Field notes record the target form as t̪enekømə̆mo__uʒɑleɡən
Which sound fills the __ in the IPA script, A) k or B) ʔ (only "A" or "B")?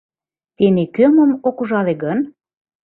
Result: A